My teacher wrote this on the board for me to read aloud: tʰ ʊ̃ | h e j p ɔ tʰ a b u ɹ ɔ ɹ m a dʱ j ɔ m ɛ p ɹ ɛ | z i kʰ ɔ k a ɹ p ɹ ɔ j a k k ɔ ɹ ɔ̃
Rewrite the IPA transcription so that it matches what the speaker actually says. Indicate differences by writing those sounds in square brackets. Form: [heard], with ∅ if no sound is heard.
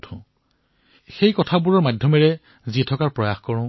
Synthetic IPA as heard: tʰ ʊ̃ | [x] e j [k] ɔ tʰ a b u ɹ ɔ ɹ m a dʱ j ɔ m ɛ [∅] ɹ ɛ | z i [tʰ] ɔ k a ɹ p ɹ ɔ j a [x] k ɔ ɹ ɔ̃